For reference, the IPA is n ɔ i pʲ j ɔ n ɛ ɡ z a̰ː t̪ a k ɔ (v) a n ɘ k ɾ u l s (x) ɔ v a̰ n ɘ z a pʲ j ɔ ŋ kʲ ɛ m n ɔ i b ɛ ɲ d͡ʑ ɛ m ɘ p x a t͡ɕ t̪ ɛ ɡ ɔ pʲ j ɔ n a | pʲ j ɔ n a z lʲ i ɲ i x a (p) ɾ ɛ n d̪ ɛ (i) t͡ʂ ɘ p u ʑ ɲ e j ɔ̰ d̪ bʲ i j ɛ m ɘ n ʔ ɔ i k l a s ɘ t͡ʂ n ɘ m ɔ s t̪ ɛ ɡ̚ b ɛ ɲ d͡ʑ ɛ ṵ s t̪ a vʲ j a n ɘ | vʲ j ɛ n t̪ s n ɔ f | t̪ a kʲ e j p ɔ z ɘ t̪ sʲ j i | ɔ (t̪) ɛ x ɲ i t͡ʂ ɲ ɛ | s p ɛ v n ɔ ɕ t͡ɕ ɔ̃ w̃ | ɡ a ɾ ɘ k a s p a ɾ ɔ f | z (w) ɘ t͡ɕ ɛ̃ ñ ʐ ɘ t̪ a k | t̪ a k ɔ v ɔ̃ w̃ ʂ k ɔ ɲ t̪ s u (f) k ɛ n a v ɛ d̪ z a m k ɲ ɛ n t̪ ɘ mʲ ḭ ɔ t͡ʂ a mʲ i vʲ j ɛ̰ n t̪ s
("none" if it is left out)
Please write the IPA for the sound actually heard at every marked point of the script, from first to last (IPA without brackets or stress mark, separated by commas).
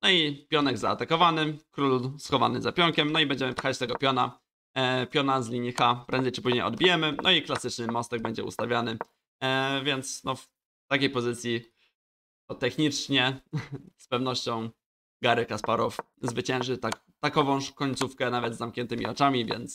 v, x, p, j, t̪, v, f